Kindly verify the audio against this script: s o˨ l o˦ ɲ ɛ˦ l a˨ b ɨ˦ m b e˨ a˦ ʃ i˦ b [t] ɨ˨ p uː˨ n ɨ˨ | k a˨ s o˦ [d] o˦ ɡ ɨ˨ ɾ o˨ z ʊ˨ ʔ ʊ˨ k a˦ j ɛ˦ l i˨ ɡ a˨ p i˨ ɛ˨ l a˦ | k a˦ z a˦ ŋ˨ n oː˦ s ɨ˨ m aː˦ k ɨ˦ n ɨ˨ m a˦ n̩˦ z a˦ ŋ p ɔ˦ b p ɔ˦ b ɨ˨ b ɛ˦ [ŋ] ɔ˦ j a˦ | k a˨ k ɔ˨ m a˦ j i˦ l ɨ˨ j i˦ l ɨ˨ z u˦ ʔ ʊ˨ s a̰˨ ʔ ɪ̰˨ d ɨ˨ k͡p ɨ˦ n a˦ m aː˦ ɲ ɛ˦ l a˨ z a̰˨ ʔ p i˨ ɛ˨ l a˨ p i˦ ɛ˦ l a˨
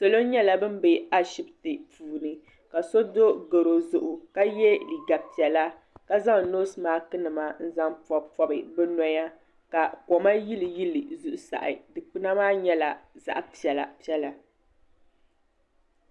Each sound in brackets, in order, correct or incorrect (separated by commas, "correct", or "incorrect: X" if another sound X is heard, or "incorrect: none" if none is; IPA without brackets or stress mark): correct, correct, incorrect: n